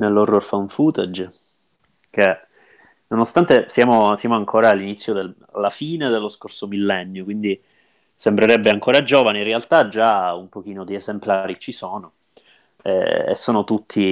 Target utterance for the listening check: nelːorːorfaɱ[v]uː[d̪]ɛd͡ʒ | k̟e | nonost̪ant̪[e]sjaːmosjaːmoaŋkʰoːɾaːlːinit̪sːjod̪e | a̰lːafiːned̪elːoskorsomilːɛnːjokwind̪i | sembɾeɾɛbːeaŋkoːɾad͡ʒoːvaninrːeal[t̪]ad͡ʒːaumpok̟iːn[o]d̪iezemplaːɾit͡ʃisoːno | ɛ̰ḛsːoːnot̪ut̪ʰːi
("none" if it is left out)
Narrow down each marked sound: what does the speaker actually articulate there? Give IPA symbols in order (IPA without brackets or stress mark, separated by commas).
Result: f, t̪, e, t̪, o